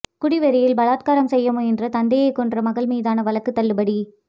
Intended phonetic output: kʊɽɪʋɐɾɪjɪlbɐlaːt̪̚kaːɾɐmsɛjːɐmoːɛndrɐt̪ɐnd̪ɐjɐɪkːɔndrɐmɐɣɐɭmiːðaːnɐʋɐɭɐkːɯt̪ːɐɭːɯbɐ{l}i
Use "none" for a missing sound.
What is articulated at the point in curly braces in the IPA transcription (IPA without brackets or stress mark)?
ɽ